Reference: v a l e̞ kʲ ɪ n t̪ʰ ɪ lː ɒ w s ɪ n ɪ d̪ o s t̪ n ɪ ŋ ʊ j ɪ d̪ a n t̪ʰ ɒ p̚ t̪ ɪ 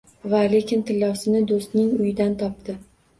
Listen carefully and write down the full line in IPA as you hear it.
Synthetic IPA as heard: v a l e̞ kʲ ɪ n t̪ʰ ɪ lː ɒ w s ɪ n ɪ d̪ o s t̪ n ɪ ŋ ʊ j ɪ d̪ a n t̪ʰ ɒ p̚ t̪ ɪ